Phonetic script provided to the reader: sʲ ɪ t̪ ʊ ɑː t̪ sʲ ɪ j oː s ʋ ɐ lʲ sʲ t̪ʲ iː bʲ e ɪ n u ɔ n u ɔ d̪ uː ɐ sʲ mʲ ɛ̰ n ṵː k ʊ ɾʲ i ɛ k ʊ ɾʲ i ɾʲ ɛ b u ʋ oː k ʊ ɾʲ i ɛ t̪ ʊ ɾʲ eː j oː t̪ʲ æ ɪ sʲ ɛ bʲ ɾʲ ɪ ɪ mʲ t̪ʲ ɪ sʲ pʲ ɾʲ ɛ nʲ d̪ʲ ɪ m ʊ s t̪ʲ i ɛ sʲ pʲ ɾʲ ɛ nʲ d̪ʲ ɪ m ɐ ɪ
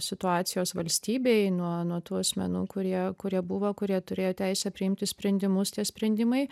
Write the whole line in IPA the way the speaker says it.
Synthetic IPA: sʲ ɪ t̪ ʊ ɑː t̪ sʲ ɪ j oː s ʋ ɐ lʲ sʲ t̪ʲ iː bʲ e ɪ n u ɔ n u ɔ t̪ uː ɐ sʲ mʲ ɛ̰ n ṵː k ʊ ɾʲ i ɛ k ʊ ɾʲ i ɛ b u ʋ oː k ʊ ɾʲ i ɛ t̪ ʊ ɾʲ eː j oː t̪ʲ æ ɪ sʲ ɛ pʲ ɾʲ ɪ ɪ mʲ t̪ʲ ɪ sʲ pʲ ɾʲ ɛ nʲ d̪ʲ ɪ m ʊ s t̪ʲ i ɛ sʲ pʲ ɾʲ ɛ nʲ d̪ʲ ɪ m ɐ ɪ